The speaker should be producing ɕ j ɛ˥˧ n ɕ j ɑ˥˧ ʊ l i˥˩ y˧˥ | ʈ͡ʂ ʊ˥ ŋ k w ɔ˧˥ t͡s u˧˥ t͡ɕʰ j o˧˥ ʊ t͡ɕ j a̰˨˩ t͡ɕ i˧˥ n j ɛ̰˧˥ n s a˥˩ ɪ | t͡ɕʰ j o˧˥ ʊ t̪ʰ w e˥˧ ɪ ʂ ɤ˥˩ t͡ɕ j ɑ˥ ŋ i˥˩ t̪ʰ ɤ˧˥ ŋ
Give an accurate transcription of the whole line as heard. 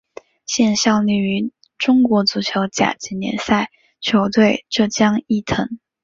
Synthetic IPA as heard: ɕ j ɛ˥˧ n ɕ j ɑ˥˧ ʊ l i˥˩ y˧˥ | ʈ͡ʂ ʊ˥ ŋ k w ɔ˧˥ t͡s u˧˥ t͡ɕʰ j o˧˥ ʊ t͡ɕ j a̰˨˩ t͡ɕ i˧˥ n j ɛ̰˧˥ n s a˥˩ ɪ | t͡ɕʰ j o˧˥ ʊ t̪ w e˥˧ ɪ ʈ͡ʂ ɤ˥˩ t͡ɕ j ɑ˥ ŋ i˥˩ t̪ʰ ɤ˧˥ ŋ